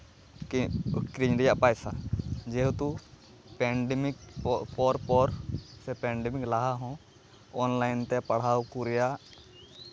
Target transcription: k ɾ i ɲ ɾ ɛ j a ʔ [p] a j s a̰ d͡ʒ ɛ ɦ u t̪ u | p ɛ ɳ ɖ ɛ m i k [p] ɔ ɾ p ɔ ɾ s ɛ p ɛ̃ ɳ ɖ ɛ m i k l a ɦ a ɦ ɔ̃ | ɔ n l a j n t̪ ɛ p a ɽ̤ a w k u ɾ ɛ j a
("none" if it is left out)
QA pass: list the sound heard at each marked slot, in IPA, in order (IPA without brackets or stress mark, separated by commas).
p, p